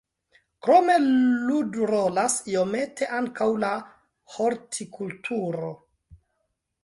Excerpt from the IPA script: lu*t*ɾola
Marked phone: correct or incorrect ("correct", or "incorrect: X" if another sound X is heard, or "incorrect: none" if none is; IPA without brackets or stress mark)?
incorrect: d